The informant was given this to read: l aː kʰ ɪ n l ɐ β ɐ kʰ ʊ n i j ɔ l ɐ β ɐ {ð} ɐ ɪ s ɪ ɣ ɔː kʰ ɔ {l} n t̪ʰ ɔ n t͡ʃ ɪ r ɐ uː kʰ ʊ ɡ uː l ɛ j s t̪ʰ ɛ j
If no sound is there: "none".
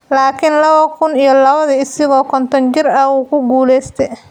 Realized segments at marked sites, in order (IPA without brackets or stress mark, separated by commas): ð, none